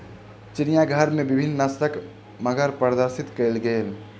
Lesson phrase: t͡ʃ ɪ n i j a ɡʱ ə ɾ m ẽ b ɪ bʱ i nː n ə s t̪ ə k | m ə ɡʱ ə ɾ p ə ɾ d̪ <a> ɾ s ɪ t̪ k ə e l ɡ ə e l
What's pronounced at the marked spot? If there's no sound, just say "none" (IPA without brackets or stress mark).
ə